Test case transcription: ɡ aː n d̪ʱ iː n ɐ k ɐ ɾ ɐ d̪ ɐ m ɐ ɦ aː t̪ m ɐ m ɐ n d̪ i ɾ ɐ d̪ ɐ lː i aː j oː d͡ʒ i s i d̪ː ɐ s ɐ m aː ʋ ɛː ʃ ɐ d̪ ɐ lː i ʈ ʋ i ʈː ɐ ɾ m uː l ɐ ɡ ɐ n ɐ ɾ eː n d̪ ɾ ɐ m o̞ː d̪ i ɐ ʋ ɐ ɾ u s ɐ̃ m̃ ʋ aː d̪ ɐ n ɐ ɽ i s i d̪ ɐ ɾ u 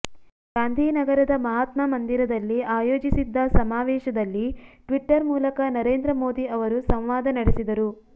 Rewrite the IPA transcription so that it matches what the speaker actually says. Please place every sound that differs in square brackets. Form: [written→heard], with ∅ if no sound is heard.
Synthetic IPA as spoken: ɡ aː n d̪ʱ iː n ɐ [k→ɡ] ɐ ɾ ɐ d̪ ɐ m ɐ ɦ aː t̪ m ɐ m ɐ n d̪ i ɾ ɐ d̪ ɐ lː i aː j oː d͡ʒ i s i d̪ː ɐ s ɐ m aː ʋ ɛː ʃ ɐ d̪ ɐ lː i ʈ ʋ i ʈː ɐ ɾ m uː l ɐ [ɡ→k] ɐ n ɐ ɾ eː n d̪ ɾ ɐ m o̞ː d̪ i ɐ ʋ ɐ ɾ u s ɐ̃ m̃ ʋ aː d̪ ɐ n ɐ ɽ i s i d̪ ɐ ɾ u